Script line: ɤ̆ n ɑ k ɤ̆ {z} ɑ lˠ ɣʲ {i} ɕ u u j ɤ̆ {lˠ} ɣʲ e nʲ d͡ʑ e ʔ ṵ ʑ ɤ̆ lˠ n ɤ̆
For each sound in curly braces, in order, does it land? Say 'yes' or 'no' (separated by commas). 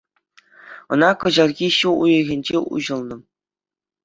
no, yes, no